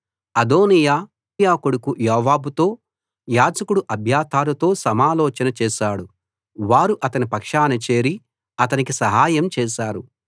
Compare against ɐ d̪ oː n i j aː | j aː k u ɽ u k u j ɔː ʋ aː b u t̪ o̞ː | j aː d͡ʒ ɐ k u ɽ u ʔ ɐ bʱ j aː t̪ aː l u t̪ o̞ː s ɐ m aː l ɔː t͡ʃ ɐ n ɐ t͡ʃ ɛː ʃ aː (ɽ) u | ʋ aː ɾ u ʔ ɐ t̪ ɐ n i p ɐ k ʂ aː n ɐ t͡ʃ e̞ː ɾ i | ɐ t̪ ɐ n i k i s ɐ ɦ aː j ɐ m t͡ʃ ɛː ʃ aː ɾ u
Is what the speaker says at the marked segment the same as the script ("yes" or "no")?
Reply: yes